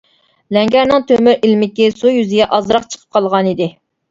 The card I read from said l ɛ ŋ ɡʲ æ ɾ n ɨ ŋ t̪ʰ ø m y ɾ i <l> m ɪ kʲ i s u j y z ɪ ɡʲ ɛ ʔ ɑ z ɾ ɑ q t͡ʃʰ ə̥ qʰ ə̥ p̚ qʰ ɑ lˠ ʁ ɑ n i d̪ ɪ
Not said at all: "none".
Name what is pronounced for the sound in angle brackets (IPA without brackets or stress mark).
l